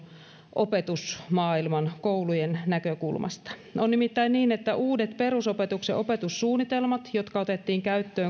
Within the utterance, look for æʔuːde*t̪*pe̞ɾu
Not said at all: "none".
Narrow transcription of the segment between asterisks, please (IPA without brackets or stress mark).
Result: t̪